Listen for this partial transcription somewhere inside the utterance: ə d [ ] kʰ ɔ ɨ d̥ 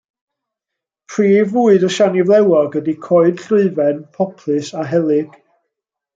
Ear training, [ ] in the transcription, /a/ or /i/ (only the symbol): i